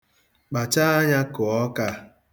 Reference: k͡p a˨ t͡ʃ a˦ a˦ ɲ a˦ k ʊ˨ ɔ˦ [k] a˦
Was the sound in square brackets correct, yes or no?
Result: yes